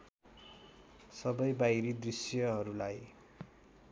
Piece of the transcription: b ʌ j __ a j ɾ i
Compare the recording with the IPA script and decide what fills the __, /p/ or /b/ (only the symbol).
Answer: b